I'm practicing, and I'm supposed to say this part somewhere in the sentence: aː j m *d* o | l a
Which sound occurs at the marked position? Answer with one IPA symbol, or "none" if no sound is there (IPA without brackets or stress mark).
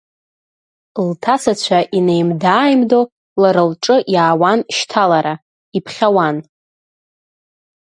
d